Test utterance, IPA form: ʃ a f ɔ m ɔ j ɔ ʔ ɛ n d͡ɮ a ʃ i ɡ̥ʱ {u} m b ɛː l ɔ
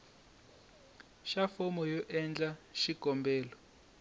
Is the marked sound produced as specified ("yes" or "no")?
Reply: no